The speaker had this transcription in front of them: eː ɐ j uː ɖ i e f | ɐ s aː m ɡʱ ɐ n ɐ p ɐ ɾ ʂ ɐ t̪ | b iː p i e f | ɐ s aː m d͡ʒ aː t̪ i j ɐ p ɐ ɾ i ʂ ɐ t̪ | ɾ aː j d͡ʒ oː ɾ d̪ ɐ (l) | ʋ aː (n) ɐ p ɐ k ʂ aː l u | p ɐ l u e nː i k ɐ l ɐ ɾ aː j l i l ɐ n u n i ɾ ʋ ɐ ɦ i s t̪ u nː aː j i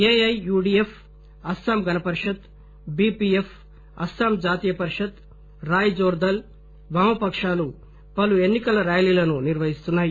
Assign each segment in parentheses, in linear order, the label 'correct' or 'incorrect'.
correct, incorrect: m

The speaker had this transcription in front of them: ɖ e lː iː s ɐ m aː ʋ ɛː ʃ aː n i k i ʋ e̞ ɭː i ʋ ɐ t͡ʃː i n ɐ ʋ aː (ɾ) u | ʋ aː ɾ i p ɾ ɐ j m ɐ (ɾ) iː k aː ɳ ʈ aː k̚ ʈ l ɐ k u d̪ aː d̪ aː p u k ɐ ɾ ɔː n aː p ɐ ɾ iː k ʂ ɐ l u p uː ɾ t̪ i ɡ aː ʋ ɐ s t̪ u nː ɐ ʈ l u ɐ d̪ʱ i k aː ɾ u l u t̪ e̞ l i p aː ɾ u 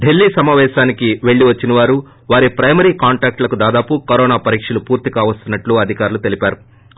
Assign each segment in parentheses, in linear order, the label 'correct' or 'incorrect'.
correct, correct

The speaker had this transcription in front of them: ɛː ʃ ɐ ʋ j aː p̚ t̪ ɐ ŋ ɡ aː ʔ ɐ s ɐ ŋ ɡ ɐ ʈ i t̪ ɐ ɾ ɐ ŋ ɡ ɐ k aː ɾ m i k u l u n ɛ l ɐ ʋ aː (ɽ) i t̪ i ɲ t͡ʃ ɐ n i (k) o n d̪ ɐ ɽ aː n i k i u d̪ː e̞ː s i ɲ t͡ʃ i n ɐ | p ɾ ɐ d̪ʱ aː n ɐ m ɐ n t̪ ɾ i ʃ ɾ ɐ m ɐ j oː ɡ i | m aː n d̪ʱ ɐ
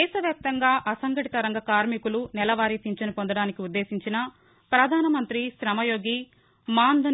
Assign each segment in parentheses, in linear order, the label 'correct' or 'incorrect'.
incorrect: ɾ, incorrect: p

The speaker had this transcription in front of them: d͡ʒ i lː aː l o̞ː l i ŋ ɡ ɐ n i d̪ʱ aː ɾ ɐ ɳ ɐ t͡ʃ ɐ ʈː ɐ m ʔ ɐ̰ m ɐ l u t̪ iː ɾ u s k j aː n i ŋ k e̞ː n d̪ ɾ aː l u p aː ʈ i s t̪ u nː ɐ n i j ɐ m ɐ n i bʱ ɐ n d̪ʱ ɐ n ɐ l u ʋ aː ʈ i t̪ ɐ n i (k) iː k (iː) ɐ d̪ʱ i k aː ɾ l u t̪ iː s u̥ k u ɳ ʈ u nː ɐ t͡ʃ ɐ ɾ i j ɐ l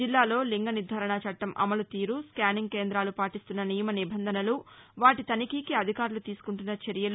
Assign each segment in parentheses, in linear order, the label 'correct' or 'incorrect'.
correct, incorrect: i

